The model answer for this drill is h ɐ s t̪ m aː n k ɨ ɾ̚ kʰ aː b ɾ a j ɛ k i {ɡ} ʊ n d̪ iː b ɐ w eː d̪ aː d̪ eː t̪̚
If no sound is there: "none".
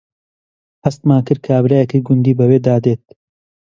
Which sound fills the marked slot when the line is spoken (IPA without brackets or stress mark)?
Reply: ɡ